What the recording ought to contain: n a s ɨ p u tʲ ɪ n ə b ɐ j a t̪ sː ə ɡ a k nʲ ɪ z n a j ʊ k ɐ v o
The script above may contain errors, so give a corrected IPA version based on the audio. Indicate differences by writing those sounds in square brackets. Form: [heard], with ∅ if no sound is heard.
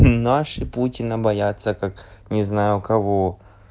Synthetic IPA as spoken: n a [ʂ] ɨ p u tʲ ɪ n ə b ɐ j a t̪ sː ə [k] a k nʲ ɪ z n a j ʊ k ɐ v o